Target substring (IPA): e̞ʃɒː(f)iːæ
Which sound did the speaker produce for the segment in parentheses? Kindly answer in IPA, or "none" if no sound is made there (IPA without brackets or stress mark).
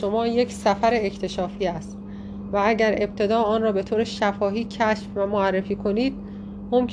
f